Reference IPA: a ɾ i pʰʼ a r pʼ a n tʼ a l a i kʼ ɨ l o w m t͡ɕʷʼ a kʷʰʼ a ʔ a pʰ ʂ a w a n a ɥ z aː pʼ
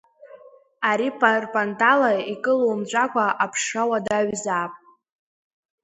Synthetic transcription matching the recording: a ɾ i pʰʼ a r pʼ a n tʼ a l a i kʼ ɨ l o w m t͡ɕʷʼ a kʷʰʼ a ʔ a pʰ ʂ a w a d a ɥ z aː pʼ